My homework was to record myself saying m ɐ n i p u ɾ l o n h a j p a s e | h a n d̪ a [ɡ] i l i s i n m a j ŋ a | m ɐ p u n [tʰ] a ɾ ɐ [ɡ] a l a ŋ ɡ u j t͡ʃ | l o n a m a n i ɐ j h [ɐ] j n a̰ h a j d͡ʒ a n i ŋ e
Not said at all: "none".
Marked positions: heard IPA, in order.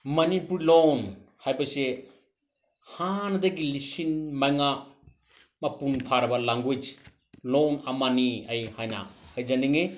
ɡ, pʰ, b, a

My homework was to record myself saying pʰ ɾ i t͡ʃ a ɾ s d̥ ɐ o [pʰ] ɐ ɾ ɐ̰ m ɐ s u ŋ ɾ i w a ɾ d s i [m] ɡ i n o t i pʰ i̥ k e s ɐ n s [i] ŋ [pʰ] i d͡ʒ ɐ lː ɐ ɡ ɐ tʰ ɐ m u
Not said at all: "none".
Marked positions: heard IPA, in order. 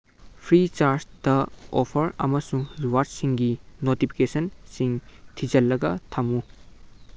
pʰ, ŋ, i, tʰ

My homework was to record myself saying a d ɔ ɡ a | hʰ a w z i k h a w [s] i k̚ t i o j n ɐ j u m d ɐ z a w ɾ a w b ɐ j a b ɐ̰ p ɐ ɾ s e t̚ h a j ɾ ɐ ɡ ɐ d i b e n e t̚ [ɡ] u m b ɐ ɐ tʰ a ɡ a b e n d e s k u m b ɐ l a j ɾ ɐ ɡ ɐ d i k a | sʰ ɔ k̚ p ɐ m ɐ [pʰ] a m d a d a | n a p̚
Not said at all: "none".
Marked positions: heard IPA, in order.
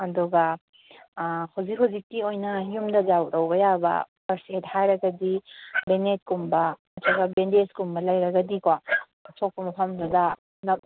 z, k, pʰ

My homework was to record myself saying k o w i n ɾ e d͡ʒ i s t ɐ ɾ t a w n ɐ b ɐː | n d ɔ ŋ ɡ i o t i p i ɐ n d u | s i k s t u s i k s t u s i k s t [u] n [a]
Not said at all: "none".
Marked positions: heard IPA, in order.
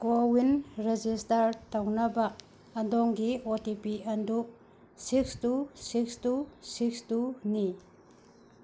u, i

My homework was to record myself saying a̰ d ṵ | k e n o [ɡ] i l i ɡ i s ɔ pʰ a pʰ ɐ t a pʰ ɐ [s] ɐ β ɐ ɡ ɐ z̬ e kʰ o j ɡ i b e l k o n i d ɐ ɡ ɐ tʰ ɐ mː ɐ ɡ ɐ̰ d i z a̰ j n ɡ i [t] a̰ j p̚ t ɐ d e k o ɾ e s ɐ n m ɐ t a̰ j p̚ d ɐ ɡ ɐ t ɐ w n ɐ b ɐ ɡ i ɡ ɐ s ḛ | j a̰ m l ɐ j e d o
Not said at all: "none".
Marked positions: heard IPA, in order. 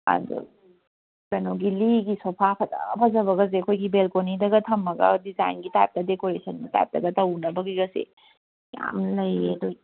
ɡ, z, t

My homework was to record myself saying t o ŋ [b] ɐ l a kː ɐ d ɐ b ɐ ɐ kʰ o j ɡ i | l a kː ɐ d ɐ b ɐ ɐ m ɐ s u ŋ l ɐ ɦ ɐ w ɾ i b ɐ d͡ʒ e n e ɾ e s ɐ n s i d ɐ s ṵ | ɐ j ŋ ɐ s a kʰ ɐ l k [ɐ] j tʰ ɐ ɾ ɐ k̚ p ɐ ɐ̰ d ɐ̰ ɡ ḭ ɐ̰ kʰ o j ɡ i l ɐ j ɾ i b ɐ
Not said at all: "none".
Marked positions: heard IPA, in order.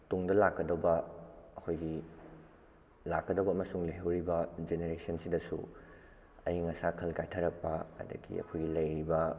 d, a

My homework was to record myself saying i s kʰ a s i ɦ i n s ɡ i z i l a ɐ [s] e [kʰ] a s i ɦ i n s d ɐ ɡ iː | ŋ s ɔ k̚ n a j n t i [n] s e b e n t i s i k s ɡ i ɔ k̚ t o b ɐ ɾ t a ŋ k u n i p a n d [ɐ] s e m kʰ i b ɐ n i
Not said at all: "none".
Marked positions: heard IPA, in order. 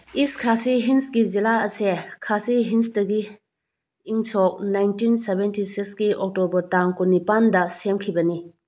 s, kʰ, n, ɐ

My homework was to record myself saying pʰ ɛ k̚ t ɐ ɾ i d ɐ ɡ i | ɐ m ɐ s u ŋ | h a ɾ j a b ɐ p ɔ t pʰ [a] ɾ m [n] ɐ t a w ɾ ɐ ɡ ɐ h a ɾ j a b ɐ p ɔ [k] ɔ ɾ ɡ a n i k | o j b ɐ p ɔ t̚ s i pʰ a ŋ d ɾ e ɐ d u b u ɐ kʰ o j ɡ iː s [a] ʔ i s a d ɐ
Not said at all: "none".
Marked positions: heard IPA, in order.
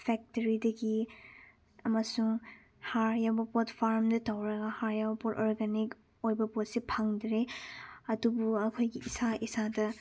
a, d, t, a

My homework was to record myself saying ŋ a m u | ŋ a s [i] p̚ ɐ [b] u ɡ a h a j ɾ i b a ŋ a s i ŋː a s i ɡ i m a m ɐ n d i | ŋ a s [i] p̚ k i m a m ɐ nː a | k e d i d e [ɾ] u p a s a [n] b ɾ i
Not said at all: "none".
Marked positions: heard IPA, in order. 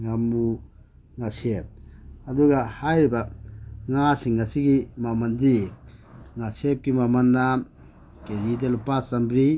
e, d, e, l, m

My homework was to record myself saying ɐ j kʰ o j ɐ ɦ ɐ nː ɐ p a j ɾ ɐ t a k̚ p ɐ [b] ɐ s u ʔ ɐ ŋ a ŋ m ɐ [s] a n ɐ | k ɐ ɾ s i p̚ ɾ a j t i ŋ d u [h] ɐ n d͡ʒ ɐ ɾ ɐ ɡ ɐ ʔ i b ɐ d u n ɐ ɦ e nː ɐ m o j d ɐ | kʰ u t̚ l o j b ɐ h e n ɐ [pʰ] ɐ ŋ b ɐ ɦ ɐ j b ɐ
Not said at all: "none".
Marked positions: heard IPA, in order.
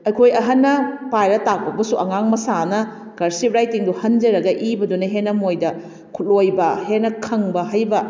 b, s, h, kʰ

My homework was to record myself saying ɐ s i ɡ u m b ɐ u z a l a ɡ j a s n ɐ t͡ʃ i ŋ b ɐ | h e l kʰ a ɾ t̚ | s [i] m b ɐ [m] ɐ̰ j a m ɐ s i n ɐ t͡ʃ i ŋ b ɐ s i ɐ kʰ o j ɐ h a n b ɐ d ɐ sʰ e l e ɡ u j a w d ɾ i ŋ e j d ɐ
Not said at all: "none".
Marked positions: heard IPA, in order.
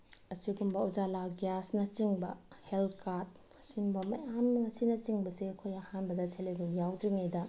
i, m

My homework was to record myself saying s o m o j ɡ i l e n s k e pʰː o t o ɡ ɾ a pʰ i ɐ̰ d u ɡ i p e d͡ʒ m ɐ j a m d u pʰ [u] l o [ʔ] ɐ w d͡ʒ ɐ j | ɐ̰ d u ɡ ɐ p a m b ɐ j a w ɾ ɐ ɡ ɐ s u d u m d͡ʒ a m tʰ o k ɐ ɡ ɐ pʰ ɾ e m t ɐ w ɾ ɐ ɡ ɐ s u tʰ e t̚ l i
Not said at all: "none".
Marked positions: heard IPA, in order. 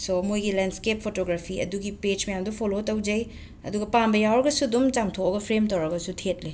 o, t

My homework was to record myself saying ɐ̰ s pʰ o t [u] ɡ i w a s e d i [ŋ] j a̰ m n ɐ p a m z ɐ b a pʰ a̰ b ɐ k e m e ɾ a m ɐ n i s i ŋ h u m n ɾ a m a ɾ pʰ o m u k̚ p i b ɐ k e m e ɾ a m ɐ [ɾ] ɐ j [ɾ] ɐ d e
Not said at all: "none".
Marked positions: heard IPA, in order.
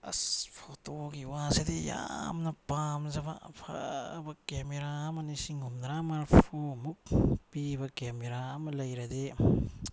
o, none, l, ɾ

